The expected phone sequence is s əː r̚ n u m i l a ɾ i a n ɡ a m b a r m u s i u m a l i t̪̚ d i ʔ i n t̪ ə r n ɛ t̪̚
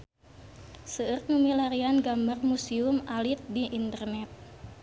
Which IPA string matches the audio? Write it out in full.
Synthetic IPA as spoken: s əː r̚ n u m i l a ɾ i a n ɡ a m b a r m u s i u m a l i t̪̚ d i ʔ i n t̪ ə r n ɛ t̪̚

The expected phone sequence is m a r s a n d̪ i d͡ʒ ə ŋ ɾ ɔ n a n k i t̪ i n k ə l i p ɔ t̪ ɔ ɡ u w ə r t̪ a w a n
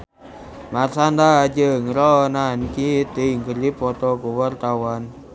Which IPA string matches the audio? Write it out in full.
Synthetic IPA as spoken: m a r s a n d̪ a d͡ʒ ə ŋ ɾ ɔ n a n k i t̪ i ŋ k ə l i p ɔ t̪ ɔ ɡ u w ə r t̪ a w a n

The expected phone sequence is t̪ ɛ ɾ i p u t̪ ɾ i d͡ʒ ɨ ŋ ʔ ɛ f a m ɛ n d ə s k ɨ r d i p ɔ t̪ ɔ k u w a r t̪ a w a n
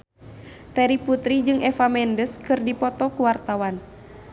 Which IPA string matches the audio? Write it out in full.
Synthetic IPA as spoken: t̪ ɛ ɾ i p u t̪ ɾ i d͡ʒ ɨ ŋ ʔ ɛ f a m ɛ n d ə s k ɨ r d i p ɔ t̪ ɔ k u w a r t̪ a w a n

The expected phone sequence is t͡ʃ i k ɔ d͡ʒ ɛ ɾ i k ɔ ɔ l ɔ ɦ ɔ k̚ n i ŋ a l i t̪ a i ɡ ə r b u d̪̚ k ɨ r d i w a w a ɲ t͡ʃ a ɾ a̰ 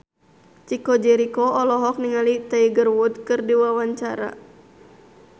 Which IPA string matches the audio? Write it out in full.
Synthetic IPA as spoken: t͡ʃ i k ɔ d͡ʒ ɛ ɾ i k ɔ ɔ l ɔ ɦ ɔ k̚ n i ŋ a l i t̪ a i ɡ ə r w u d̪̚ k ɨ r d i w a w a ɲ t͡ʃ a ɾ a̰

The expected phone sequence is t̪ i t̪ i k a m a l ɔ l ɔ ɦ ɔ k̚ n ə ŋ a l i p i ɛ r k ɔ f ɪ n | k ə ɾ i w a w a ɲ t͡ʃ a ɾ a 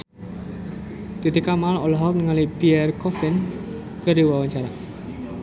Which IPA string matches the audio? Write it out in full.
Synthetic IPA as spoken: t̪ i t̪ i k a m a l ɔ l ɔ ɦ ɔ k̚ n ə ŋ a l i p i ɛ r k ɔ f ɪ n | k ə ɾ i w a w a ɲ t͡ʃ a ɾ a

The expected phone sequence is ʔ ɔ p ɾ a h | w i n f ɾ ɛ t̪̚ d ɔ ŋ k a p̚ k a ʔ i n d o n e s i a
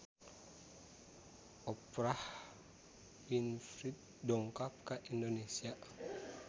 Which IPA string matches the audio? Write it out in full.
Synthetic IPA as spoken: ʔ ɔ p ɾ a h | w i n f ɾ i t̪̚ d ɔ ŋ k a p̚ k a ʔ i n d o n e s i a

